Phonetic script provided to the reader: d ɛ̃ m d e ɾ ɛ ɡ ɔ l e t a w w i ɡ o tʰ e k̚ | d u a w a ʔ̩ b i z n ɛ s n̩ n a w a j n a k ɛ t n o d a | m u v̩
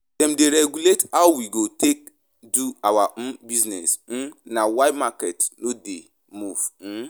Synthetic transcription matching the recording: d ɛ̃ m d e ɾ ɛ ɡ u l e t a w w i ɡ o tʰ e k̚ | d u a w a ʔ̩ b i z n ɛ s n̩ n a w a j m a k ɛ t n o d e | m u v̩